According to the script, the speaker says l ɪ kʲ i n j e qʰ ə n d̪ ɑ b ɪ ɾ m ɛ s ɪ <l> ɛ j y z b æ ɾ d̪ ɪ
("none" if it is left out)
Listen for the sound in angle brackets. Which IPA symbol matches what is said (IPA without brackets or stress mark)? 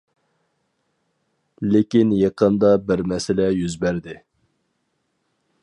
l